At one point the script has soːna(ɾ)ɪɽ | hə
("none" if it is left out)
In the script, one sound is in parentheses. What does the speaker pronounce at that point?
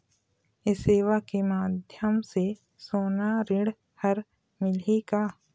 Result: ɾ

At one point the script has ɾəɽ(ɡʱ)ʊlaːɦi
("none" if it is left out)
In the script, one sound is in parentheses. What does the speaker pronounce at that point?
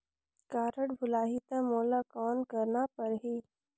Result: bʱ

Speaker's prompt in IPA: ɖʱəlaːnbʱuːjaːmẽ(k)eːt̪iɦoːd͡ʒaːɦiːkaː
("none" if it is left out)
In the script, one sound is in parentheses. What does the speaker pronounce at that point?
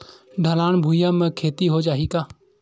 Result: kʰ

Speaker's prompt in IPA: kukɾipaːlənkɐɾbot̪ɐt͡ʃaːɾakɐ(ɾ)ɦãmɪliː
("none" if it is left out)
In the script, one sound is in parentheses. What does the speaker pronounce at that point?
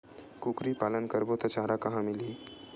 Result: none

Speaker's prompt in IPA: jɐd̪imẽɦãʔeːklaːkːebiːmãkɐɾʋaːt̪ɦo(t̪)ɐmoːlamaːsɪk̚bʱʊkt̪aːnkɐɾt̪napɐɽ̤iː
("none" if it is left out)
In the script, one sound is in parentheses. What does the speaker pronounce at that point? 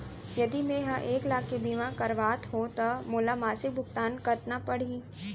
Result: t̪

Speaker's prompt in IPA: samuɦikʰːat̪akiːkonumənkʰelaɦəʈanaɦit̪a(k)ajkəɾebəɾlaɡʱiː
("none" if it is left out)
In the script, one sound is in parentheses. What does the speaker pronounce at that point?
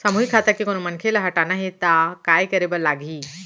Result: k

